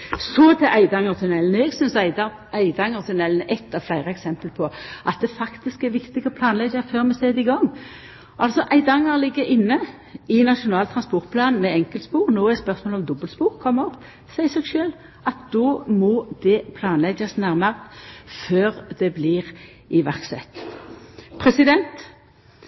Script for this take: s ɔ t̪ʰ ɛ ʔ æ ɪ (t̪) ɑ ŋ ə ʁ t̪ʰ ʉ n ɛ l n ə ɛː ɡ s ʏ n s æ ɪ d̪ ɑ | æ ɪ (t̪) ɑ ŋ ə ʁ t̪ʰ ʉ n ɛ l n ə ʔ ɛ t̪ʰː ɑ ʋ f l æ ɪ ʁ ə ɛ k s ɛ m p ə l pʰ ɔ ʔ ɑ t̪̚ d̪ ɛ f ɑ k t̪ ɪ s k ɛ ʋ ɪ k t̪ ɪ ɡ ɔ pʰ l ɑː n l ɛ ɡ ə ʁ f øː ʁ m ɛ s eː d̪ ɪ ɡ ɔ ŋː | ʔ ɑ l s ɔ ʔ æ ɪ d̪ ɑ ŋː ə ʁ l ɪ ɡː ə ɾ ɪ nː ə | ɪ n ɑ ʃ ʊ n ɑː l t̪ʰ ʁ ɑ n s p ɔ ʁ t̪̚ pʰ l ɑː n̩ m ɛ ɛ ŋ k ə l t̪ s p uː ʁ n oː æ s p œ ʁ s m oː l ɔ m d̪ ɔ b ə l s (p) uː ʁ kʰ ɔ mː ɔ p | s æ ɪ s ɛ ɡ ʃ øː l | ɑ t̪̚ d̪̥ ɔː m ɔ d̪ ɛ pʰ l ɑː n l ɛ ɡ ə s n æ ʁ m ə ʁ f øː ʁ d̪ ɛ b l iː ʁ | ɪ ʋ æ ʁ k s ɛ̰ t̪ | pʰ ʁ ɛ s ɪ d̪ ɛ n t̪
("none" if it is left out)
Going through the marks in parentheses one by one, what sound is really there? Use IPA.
d̪, d̪, p

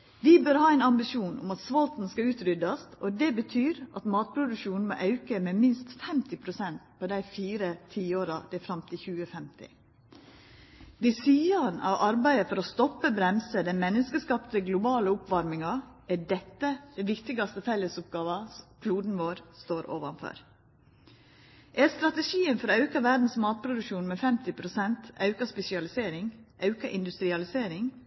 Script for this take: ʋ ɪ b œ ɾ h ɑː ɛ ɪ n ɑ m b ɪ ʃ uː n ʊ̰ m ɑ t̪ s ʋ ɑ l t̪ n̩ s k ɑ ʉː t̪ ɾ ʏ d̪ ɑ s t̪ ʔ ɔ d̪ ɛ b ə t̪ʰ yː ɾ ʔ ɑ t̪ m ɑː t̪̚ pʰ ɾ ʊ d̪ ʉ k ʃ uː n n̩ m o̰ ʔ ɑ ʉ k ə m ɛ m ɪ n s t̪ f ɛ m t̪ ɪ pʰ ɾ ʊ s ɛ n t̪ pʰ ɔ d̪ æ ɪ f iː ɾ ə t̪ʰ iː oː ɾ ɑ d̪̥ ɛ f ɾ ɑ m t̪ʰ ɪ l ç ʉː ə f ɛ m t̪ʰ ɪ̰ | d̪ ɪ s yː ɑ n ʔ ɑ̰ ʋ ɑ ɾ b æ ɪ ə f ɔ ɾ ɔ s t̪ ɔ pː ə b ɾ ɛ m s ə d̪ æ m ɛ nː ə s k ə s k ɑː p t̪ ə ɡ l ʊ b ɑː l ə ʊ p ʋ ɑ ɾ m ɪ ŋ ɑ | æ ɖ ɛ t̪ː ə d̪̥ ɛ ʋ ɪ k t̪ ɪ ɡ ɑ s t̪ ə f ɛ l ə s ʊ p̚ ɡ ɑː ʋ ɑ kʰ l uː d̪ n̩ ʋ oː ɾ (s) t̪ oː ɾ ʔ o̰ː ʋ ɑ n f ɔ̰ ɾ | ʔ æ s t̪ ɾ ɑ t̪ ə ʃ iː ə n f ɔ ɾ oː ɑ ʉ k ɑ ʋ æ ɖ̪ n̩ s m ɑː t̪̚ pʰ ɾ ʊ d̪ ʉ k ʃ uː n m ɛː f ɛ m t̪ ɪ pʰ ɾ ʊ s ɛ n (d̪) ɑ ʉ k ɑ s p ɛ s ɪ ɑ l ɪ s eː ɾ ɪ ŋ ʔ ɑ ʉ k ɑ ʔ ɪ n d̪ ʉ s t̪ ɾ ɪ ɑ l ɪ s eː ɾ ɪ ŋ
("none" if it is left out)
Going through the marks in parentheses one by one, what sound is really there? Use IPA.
s, t̪

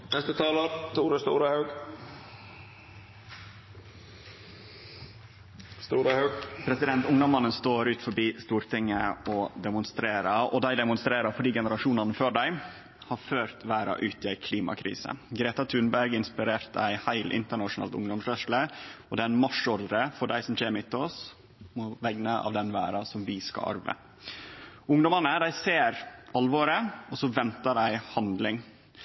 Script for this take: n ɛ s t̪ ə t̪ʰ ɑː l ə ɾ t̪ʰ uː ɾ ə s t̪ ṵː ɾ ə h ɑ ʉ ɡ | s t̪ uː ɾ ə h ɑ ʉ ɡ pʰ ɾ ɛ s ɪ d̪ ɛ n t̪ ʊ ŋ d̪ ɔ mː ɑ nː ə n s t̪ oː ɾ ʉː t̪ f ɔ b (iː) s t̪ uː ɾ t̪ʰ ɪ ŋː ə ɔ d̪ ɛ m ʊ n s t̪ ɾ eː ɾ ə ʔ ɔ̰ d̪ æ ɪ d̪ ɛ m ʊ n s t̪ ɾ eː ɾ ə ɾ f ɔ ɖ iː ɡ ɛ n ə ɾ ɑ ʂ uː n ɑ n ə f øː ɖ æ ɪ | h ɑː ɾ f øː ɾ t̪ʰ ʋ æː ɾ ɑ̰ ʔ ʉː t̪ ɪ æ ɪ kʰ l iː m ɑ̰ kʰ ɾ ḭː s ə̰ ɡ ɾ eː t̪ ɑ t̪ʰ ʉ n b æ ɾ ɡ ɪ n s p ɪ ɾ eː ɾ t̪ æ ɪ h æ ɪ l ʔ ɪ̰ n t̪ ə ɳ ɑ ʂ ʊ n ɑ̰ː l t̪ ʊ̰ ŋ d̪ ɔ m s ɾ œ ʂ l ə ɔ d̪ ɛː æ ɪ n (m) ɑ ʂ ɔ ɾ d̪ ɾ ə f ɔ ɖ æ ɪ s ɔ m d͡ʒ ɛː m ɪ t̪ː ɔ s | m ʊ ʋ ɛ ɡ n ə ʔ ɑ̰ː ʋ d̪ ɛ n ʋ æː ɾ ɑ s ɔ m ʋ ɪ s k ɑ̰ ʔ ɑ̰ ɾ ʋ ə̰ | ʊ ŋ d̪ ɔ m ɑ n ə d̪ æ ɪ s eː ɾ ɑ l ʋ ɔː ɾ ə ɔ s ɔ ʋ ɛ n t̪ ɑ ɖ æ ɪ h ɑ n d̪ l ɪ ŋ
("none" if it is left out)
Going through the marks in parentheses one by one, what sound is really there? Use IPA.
iː, m

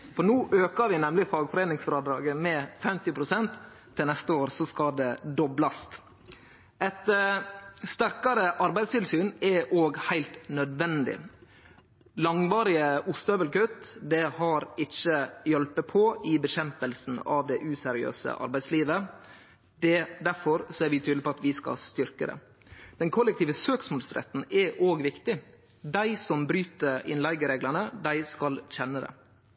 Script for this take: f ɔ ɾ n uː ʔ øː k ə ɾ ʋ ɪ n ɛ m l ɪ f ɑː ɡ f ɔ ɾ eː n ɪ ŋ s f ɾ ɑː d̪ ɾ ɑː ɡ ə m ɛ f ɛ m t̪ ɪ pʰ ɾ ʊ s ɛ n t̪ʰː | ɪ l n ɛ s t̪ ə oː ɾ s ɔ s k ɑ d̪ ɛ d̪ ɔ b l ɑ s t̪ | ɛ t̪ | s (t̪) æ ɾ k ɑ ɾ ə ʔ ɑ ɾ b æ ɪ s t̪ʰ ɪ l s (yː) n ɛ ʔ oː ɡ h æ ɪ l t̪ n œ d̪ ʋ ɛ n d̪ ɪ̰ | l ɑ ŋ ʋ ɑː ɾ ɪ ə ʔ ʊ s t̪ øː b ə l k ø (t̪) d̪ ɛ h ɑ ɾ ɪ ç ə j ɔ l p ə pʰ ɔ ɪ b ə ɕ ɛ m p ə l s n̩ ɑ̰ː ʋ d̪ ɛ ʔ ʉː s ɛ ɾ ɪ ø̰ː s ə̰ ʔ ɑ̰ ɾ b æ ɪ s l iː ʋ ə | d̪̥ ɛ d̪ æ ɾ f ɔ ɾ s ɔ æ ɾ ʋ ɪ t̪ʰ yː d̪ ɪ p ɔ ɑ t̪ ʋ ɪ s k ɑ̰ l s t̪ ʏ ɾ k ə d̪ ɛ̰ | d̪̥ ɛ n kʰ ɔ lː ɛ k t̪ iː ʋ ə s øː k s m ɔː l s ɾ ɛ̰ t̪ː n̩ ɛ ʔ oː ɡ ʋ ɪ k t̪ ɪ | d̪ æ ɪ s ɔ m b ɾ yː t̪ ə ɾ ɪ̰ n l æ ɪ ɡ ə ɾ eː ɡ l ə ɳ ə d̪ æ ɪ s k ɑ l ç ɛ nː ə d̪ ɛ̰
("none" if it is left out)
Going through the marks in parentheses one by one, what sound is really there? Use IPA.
t̪, yː, t̪

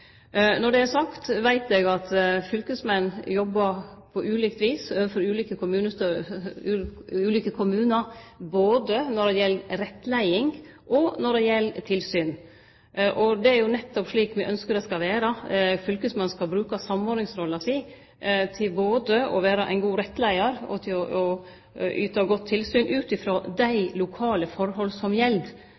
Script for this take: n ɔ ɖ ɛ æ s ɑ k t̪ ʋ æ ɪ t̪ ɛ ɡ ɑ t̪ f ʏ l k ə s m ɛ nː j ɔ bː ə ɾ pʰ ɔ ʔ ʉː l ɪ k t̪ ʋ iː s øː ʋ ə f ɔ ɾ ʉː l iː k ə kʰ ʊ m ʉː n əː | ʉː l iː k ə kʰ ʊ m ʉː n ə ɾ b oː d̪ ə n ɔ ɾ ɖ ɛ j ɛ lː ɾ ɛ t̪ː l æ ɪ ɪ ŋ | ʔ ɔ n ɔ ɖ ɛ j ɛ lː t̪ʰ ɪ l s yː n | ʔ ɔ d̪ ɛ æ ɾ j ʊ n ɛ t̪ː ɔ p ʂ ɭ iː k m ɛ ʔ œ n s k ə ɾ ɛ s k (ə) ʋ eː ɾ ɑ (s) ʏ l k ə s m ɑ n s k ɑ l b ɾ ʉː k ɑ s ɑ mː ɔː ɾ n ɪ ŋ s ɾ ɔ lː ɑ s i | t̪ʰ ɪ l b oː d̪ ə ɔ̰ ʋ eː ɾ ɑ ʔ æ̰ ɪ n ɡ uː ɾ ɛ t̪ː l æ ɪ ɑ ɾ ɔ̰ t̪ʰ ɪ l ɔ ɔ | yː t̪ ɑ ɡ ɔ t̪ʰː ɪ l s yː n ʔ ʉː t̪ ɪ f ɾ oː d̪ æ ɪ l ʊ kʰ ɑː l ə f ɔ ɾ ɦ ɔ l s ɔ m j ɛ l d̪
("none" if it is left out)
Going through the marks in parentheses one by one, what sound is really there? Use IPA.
ɑ, f

